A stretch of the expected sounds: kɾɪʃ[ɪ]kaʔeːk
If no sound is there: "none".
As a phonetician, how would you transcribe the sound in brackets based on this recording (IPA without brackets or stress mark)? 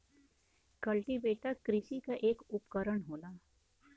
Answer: i